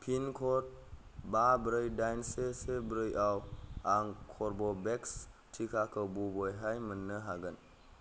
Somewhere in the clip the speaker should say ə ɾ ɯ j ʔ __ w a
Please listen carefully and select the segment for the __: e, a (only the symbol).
a